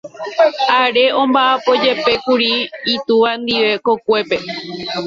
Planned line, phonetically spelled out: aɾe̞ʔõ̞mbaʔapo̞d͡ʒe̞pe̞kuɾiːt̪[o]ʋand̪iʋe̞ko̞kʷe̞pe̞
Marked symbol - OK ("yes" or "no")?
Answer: no